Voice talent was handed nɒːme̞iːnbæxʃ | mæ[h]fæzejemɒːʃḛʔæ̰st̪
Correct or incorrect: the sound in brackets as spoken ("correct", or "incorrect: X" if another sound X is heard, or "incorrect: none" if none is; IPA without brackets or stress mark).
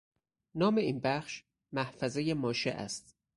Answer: correct